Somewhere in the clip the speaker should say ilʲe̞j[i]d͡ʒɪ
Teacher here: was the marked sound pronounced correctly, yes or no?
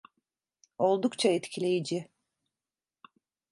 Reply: yes